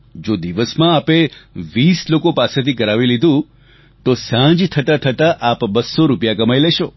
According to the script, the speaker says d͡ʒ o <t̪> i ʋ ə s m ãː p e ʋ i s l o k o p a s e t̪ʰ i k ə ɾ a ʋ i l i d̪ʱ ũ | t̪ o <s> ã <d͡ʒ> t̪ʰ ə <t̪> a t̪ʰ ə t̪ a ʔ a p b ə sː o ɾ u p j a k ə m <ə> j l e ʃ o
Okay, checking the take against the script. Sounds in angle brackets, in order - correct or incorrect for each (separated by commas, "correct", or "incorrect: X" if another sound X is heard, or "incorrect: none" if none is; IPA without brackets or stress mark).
incorrect: d̪, correct, correct, correct, incorrect: a